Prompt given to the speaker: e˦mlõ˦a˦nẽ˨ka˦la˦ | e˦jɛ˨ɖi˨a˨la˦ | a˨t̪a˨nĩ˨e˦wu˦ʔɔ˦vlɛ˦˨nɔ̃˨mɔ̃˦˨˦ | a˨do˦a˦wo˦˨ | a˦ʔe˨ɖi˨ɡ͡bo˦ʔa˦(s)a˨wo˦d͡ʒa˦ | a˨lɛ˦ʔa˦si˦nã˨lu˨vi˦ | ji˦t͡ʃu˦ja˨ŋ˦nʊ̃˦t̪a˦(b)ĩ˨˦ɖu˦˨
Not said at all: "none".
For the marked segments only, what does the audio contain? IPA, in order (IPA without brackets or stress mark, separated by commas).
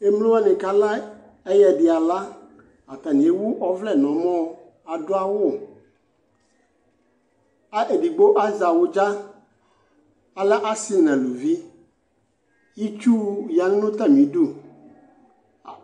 z, m